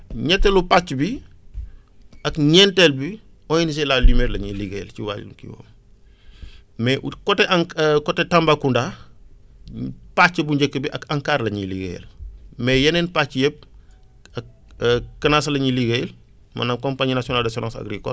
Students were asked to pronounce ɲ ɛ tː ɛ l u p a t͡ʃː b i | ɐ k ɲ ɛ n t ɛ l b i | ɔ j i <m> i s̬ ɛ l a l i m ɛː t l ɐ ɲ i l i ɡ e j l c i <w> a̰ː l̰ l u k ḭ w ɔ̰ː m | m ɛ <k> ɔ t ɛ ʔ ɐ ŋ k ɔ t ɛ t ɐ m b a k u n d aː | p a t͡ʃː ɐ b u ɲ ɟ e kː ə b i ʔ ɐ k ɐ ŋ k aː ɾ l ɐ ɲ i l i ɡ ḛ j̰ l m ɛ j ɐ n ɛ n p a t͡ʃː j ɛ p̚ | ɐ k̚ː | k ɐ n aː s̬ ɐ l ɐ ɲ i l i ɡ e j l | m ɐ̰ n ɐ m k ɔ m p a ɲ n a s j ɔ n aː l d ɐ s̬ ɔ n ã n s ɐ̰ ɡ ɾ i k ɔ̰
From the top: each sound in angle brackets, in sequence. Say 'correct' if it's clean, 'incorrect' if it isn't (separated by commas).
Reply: incorrect, correct, correct